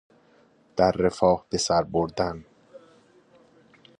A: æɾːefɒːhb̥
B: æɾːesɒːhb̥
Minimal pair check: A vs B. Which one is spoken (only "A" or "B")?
A